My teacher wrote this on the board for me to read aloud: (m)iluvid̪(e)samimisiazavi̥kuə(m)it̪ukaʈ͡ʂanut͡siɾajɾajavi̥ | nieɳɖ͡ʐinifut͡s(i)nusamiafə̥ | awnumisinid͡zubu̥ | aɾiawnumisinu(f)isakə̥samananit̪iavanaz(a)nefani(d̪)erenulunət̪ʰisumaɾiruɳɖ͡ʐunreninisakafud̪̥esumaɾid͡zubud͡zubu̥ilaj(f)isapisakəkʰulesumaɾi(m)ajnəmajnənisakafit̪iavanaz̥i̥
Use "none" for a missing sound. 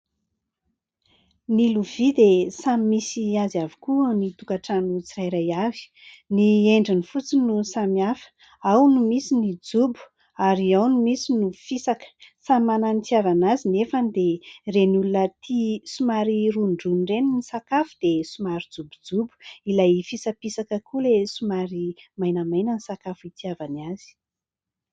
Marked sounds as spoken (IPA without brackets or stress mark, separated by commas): n, e, n, i, f, i, d̪, f, m